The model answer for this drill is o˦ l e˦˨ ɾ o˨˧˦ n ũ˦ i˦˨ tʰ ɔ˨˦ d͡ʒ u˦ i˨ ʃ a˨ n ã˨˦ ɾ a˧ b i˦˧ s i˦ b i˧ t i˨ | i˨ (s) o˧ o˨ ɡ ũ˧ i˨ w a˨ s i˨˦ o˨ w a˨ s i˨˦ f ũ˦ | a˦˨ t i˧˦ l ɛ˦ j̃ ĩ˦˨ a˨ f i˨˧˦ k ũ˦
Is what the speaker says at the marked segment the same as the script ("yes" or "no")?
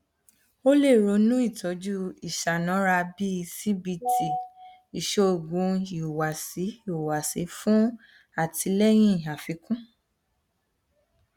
no